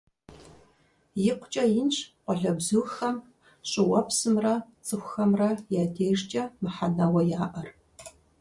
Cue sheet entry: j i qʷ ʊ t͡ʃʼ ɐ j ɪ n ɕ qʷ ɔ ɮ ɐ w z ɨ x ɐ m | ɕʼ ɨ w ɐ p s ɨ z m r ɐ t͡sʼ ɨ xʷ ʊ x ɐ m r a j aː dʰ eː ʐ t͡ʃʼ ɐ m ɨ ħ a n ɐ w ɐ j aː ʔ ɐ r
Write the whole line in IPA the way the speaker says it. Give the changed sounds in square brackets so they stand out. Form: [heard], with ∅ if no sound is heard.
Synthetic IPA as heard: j [ɪ] qʷ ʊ t͡ʃʼ ɐ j ɪ n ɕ qʷ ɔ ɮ ɐ [b] z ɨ x ɐ m | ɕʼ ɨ w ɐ p s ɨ [∅] m r ɐ t͡sʼ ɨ xʷ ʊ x ɐ m r [ɐ] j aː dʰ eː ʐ t͡ʃʼ ɐ m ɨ ħ a n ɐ w ɐ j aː ʔ ɐ r